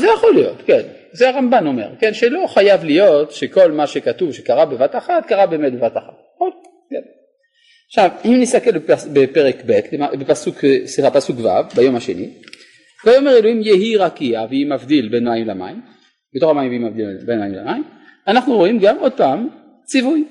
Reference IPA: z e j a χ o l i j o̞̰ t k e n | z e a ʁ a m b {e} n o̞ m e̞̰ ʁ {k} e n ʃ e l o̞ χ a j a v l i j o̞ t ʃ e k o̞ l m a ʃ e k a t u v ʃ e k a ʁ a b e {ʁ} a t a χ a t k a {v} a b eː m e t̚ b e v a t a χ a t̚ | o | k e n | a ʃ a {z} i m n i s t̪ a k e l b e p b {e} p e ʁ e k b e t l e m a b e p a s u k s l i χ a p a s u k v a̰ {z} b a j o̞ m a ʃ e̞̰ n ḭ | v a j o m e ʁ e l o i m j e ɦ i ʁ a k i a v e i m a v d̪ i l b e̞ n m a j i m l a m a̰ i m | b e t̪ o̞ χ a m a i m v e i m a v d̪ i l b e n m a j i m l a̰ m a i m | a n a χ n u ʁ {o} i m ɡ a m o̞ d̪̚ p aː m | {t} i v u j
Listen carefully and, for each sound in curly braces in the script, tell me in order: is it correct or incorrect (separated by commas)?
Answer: incorrect, correct, incorrect, incorrect, incorrect, correct, incorrect, correct, incorrect